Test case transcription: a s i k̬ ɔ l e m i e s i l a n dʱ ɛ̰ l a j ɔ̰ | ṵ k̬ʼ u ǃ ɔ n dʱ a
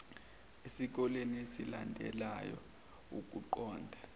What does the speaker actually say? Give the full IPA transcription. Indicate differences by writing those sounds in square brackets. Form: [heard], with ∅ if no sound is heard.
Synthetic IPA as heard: [e] s i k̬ ɔ l e [n] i e s i l a n dʱ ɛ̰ l a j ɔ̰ | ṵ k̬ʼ u ǃ [ɔː] n dʱ a